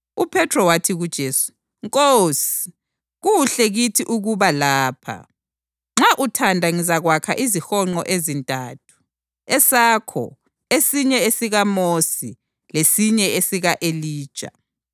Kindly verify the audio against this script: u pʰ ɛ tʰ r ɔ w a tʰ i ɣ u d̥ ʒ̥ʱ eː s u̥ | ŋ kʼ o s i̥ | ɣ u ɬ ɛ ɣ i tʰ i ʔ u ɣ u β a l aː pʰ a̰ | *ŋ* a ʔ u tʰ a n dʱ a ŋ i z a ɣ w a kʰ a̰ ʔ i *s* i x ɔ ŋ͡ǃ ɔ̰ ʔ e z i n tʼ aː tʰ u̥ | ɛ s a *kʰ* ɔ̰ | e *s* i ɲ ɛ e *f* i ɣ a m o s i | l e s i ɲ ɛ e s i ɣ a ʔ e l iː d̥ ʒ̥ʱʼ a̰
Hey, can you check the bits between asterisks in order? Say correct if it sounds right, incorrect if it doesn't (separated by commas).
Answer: incorrect, incorrect, correct, correct, incorrect